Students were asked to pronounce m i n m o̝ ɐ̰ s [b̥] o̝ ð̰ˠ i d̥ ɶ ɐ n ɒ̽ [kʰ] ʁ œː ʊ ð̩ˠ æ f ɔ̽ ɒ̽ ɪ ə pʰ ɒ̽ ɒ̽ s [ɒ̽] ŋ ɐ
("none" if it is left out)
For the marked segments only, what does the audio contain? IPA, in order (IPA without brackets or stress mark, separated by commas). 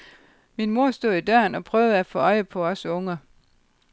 d̥, pʰ, ɔ̽